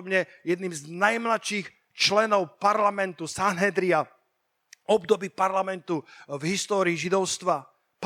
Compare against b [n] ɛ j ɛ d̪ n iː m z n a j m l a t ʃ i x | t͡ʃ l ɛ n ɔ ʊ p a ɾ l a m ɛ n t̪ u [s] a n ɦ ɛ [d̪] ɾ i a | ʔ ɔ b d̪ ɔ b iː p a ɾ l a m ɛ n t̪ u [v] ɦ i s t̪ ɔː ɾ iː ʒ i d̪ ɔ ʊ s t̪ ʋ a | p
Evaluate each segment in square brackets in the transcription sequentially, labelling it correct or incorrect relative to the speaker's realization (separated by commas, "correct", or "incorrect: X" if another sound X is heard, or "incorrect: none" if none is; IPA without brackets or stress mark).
incorrect: ɲ, correct, correct, correct